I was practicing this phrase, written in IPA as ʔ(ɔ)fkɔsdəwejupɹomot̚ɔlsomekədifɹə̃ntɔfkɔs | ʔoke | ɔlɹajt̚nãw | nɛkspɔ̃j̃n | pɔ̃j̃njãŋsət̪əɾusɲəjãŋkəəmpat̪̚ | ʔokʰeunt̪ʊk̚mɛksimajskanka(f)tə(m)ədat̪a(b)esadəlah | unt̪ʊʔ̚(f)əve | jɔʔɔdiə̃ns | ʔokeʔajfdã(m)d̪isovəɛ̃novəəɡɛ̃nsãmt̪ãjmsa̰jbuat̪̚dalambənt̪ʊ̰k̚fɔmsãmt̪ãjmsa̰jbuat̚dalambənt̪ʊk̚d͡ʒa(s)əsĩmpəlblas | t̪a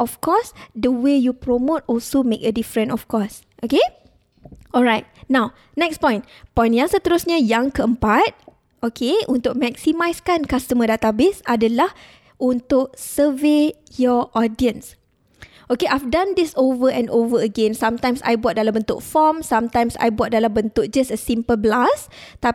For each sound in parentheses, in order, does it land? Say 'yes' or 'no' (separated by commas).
yes, no, yes, yes, no, no, yes